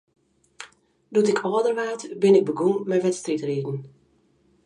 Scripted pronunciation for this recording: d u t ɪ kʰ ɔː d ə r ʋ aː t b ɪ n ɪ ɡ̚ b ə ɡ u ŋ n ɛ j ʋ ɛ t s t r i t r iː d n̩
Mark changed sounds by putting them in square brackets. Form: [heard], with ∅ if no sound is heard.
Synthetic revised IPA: d u t ɪ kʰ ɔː d ə r ʋ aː t b ɪ n ɪ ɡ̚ b ə ɡ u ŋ [m] ɛ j ʋ ɛ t s t r i t r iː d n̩